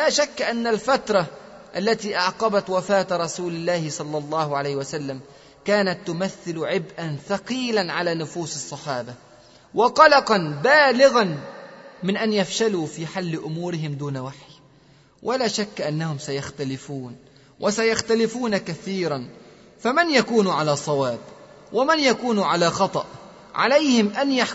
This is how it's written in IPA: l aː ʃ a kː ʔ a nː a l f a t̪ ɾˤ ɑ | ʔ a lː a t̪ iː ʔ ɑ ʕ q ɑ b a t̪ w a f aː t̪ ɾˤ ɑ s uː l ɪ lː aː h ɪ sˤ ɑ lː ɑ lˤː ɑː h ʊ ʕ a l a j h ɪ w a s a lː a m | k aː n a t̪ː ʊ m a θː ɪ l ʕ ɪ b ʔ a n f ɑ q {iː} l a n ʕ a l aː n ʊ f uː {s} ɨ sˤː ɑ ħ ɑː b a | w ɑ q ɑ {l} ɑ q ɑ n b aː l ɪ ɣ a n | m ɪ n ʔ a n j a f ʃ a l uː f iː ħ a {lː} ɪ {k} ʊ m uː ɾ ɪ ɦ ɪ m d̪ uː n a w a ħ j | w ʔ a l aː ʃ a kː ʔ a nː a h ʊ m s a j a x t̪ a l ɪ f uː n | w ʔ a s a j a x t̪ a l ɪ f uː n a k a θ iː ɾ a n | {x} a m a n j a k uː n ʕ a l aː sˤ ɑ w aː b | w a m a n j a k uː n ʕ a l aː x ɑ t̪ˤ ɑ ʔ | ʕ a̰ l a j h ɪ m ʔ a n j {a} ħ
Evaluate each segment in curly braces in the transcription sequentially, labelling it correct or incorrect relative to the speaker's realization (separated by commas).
correct, correct, correct, correct, incorrect, incorrect, correct